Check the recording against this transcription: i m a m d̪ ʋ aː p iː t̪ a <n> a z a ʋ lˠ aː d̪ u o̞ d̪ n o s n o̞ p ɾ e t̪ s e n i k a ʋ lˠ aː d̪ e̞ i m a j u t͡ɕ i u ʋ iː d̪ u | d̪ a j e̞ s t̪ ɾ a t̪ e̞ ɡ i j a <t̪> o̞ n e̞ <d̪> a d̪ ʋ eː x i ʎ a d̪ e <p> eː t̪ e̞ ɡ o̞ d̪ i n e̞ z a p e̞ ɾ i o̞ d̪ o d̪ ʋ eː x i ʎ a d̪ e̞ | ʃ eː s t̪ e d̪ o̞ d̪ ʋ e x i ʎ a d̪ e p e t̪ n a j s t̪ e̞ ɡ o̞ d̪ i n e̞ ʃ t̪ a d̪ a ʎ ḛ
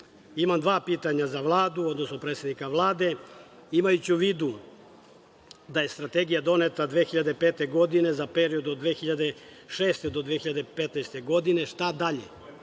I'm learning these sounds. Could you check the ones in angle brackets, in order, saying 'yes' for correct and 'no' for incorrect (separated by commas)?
no, no, no, yes